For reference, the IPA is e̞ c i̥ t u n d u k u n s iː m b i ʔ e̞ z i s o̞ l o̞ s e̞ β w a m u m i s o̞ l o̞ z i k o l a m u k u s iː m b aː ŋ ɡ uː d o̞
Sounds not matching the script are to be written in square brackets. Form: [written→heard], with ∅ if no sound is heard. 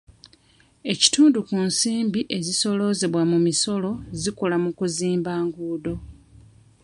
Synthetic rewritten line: e̞ c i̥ t [u→uː] n d u k u n s iː m b i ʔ e̞ z i s o̞ l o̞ [s→z] e̞ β w a m u m i s o̞ l o̞ z i k o l a m u k u [s→z] iː m b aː ŋ ɡ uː d o̞